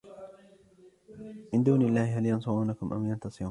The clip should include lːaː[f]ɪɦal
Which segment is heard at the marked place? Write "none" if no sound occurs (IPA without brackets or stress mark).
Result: h